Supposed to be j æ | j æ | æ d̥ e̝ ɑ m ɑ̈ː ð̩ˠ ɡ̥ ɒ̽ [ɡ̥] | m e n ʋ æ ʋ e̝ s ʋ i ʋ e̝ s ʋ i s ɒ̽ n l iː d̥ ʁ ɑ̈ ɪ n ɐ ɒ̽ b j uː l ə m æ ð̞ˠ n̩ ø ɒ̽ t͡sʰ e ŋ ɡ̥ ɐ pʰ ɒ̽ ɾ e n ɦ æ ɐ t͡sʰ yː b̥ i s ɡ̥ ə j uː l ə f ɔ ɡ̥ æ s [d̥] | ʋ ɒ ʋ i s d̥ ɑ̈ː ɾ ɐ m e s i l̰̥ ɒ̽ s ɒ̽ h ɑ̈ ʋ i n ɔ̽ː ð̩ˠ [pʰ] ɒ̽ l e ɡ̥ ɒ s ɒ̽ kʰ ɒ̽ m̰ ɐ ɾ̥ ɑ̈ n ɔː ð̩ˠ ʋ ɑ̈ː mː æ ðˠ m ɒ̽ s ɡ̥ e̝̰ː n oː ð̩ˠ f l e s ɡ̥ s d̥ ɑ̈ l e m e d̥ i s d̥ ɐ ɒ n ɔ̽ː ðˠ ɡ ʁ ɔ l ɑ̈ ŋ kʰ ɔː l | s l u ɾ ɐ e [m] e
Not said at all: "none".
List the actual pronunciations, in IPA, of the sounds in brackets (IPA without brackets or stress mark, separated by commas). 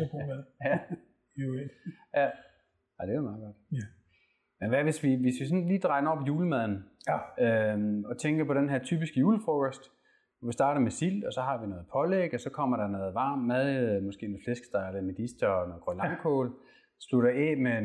d̥, d̥, pʰ, m